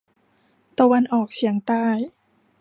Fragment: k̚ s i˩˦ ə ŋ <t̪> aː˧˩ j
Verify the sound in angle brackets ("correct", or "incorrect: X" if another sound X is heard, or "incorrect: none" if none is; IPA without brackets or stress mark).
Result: correct